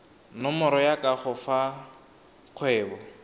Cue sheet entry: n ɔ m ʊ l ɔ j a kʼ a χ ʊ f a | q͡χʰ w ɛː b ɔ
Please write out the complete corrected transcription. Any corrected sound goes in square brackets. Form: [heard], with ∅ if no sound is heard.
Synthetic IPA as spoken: n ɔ m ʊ [ɾ] ɔ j a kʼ a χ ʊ f a | q͡χʰ w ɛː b ɔ